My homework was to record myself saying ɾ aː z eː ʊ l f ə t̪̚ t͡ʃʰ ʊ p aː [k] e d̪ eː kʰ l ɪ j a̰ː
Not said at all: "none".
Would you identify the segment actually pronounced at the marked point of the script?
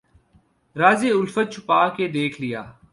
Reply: k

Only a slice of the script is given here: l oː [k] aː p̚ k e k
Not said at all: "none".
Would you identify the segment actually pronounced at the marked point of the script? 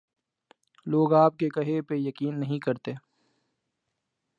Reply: ɡ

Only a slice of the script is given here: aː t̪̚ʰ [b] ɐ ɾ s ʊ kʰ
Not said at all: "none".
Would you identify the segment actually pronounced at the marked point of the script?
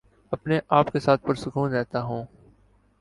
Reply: p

